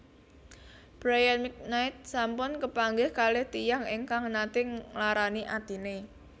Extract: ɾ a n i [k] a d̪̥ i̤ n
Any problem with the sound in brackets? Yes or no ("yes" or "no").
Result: yes